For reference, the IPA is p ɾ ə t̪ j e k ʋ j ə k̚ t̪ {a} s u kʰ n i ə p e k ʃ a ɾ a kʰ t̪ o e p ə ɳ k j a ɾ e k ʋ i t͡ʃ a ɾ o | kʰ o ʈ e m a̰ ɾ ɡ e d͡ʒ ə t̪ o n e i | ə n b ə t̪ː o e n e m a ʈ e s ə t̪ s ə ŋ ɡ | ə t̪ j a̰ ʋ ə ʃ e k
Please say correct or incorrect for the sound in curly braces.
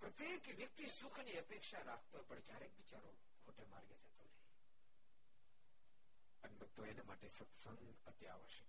incorrect